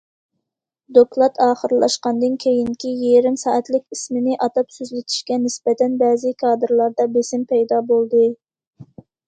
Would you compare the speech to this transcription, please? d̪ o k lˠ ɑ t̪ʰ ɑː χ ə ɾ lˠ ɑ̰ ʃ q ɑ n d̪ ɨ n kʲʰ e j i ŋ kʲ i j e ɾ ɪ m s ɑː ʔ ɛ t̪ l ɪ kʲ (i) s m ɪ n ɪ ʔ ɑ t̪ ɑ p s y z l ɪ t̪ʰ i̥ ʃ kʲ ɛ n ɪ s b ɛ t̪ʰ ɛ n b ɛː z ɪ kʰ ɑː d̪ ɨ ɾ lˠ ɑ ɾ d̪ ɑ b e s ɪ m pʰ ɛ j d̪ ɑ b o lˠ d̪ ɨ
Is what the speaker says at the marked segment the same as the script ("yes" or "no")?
yes